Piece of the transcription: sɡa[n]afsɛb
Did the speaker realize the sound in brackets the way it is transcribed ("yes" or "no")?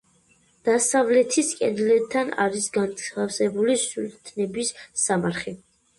yes